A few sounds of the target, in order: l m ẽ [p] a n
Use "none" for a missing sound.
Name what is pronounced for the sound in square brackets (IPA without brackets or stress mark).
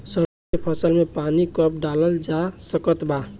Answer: p